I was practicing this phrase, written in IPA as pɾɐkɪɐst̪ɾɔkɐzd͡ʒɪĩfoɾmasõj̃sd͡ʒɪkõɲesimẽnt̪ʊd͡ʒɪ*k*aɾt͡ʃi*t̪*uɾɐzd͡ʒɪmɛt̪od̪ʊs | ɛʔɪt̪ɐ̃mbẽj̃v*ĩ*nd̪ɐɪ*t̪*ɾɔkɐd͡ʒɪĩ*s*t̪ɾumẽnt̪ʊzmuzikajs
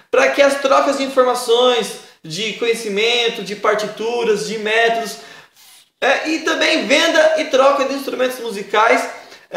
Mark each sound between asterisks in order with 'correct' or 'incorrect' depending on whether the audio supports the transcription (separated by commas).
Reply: incorrect, correct, incorrect, correct, correct